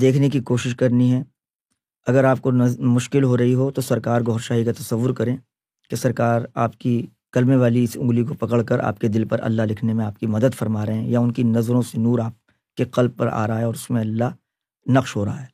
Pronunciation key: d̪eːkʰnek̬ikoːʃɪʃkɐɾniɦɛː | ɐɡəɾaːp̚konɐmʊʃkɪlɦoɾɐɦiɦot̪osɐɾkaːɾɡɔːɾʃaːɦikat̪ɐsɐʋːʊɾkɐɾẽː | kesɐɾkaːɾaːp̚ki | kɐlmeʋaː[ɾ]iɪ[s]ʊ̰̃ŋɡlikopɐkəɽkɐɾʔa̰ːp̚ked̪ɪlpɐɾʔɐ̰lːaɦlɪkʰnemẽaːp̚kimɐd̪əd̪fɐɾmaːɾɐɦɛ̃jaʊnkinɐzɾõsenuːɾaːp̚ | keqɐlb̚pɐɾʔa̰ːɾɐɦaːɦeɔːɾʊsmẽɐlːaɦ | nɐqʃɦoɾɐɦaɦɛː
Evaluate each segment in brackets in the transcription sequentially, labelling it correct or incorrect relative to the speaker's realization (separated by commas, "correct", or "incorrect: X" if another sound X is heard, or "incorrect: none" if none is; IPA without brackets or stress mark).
incorrect: l, correct